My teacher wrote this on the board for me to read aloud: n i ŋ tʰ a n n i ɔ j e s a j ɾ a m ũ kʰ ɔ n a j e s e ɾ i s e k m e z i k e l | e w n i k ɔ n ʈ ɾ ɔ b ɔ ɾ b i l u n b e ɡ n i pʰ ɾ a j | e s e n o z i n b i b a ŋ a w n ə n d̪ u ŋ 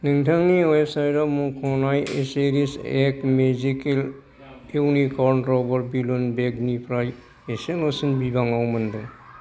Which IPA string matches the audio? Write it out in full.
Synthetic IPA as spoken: n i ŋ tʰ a ŋ n i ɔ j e s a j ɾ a m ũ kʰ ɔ n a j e s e ɾ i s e k m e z i k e l | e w n i k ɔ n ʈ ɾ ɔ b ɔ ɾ b i l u n b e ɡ n i pʰ ɾ a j | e s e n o s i n b i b a ŋ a w m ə n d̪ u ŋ